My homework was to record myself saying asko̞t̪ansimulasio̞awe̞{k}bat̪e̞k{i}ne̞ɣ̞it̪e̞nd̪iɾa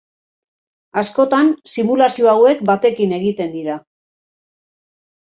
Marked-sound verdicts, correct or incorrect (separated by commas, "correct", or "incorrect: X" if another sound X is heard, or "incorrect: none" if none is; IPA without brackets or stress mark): correct, correct